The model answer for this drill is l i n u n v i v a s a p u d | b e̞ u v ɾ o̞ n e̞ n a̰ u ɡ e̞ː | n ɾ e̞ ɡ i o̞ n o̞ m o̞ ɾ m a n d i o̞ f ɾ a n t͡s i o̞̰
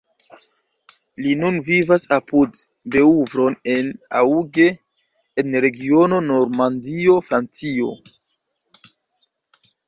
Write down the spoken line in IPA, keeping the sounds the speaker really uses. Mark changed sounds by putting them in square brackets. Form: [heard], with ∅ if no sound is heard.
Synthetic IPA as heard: l i n u n v i v a s a p u d | b e̞ u v ɾ o̞ n e̞ n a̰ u ɡ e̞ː | n ɾ e̞ ɡ i o̞ n o̞ [n] o̞ ɾ m a n d i o̞ f ɾ a n t͡s i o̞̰